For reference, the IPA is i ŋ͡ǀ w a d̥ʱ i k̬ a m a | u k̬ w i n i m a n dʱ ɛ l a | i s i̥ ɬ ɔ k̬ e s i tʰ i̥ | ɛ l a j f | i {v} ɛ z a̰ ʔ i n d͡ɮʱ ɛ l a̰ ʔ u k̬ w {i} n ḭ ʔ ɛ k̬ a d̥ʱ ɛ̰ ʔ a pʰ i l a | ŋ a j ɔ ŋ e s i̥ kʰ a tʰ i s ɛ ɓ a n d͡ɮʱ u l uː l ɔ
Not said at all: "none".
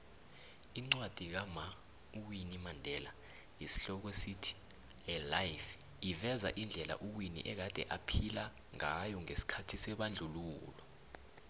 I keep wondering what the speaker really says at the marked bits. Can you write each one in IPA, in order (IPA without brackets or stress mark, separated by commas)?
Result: v, i